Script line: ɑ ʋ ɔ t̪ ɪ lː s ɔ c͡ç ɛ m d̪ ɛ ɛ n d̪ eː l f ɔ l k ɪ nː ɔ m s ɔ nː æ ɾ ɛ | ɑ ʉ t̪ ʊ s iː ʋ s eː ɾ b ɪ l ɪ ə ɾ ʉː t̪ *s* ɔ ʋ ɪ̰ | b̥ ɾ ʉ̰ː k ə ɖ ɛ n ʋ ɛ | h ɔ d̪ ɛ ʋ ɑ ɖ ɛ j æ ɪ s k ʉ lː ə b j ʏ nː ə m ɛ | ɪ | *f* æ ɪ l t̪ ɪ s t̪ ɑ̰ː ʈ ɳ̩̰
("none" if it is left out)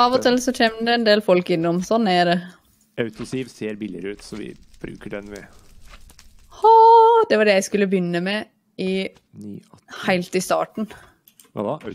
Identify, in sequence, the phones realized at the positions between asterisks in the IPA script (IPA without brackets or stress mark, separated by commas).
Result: s, h